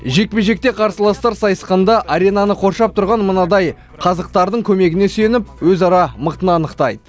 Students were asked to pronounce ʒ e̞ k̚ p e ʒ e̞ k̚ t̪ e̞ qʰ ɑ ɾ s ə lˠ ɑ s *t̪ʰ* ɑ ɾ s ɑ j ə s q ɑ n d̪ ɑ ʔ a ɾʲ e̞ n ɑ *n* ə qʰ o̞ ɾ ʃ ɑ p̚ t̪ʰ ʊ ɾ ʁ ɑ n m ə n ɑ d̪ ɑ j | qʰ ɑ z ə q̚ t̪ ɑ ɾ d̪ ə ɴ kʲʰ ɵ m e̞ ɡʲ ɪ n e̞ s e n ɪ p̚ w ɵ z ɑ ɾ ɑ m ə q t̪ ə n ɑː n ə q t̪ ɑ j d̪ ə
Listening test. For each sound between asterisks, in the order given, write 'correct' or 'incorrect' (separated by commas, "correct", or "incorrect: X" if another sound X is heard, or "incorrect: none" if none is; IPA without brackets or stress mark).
incorrect: t̪, correct